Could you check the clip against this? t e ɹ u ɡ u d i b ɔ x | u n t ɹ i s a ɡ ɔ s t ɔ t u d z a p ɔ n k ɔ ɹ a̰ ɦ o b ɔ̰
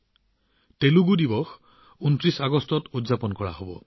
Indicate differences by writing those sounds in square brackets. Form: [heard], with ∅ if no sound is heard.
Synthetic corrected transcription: t e [l] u ɡ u d i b ɔ x | u n t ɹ i s a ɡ ɔ s t ɔ t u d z a p ɔ n k ɔ ɹ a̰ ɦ o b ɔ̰